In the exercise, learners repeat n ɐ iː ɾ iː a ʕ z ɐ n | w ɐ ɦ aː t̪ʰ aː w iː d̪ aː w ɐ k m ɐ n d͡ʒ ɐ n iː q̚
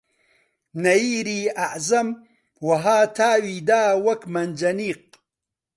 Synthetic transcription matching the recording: n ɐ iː ɾ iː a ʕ z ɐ m | w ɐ ɦ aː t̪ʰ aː w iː d̪ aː w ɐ k m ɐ n d͡ʒ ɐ n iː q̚